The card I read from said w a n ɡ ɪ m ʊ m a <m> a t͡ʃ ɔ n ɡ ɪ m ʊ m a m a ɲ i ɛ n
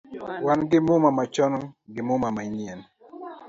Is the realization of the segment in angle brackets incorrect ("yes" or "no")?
no